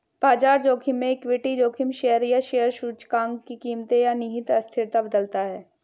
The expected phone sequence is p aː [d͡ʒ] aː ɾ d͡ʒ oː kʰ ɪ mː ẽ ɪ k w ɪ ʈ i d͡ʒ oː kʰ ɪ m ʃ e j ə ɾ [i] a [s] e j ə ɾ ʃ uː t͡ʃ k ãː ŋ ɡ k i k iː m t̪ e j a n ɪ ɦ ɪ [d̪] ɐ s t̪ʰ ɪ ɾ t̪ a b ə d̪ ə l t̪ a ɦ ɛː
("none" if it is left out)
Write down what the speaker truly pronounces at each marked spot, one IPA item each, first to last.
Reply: d͡ʒ, j, ʃ, t̪

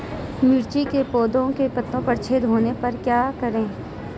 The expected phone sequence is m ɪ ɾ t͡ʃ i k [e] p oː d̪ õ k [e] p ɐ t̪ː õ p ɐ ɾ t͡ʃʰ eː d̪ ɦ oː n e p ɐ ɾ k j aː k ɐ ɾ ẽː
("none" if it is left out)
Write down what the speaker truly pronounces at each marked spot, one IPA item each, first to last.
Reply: e, e

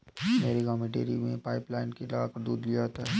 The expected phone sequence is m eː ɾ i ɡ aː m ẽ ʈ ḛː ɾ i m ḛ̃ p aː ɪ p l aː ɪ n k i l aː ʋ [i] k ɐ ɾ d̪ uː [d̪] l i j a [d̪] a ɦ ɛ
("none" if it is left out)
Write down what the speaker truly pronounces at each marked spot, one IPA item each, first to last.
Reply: a, d̪, t̪

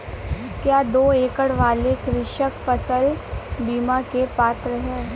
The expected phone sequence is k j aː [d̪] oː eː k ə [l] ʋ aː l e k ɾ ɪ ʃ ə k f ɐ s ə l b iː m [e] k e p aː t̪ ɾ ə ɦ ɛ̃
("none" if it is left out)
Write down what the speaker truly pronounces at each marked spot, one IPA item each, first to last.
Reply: d̪, ɽ, a

